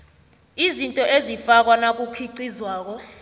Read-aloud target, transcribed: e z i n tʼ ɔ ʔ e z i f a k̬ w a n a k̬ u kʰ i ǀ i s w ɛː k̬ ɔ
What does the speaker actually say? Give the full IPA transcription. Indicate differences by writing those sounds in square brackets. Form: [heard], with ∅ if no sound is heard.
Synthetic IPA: [i] z i n tʼ ɔ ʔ e z i f a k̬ w a n a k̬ u kʰ i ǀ i [z] w [aː] k̬ ɔ